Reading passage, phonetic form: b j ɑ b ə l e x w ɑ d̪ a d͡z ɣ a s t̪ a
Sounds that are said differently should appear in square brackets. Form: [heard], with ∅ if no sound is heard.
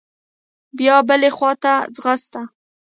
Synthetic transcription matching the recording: b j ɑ b ə l e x w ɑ [t̪] a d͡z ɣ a s t̪ a